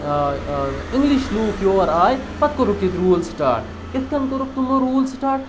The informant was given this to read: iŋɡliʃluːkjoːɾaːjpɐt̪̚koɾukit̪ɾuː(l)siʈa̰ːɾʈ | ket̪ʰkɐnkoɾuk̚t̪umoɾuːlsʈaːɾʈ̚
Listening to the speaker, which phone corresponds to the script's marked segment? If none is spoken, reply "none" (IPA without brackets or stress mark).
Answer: l